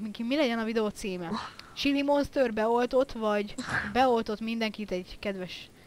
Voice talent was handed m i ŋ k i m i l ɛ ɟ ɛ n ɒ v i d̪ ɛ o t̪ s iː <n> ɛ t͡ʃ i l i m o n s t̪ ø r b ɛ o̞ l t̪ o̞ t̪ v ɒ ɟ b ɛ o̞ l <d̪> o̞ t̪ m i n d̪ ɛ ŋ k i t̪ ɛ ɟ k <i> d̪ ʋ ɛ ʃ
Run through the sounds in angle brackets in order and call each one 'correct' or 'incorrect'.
incorrect: m, incorrect: t̪, incorrect: ɛ

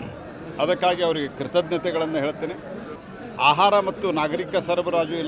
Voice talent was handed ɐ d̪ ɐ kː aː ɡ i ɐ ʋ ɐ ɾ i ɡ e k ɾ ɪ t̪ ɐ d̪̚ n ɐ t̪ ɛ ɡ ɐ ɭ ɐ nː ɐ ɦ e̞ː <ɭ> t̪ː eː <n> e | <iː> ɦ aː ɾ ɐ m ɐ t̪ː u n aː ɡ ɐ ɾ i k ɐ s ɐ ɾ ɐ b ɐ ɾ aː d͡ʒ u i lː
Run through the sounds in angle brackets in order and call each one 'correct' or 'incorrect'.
correct, correct, incorrect: aː

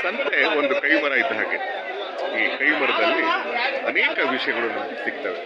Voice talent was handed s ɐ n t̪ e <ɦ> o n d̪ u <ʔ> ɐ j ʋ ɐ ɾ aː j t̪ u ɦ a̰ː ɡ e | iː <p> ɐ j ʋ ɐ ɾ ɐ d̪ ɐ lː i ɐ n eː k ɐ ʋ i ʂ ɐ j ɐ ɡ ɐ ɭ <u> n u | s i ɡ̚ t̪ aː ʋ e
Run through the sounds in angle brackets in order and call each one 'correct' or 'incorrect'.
incorrect: none, incorrect: k, incorrect: k, correct

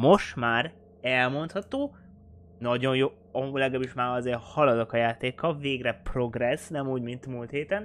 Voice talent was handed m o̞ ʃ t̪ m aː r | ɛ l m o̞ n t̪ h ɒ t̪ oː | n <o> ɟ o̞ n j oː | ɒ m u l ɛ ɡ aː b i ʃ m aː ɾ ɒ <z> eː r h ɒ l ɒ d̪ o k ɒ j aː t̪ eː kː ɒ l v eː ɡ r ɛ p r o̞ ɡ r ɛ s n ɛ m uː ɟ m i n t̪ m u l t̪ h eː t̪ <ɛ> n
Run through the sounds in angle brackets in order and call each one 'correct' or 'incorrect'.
incorrect: ɒ, correct, correct

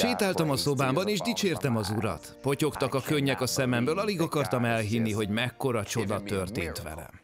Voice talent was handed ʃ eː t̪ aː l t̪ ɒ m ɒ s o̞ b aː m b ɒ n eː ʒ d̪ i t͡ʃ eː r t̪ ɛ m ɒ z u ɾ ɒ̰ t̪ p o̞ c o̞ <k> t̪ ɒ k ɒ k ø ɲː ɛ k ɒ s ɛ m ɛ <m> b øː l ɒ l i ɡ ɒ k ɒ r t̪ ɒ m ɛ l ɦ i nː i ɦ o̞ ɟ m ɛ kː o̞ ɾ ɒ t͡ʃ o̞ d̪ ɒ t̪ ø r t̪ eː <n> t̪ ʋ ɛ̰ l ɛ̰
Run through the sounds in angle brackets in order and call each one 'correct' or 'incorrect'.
correct, correct, correct

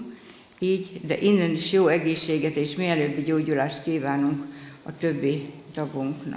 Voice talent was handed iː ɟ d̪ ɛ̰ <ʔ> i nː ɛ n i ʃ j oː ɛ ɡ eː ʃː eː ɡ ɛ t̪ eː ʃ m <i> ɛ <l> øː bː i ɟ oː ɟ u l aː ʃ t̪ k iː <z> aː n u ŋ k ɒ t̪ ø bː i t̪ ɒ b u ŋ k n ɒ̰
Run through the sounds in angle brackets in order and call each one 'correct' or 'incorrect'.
correct, correct, correct, incorrect: v

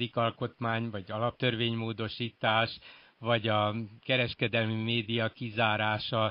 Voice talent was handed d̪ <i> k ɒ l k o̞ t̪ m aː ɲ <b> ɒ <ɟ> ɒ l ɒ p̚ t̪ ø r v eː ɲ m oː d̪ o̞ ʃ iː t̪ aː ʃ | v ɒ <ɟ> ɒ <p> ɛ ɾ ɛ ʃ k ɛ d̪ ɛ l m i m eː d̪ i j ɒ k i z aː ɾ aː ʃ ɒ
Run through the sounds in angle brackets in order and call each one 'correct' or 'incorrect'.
correct, incorrect: v, correct, correct, incorrect: k

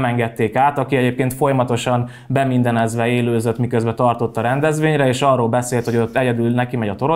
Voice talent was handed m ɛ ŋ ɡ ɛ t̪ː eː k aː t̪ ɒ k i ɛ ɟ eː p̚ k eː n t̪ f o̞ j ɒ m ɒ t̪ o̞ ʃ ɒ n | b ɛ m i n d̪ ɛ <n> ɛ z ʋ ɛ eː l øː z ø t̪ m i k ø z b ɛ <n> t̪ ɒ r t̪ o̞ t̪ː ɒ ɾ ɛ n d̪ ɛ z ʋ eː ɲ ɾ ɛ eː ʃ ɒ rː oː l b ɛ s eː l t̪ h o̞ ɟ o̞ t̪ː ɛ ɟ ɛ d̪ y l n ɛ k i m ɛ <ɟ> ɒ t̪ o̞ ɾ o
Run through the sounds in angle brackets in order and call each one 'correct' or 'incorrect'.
correct, incorrect: none, correct

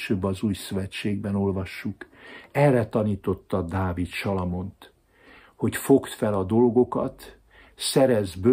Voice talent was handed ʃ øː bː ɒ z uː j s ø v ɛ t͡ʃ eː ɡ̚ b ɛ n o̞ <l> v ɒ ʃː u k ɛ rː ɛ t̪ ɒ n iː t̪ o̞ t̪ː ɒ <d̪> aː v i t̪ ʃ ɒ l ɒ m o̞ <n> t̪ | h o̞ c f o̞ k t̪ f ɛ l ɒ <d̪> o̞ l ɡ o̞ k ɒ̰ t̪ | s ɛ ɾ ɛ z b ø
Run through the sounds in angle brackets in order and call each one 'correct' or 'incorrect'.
correct, correct, correct, correct

